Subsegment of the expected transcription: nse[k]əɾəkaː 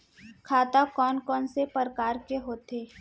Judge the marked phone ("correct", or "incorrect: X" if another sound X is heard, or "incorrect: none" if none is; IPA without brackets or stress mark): incorrect: p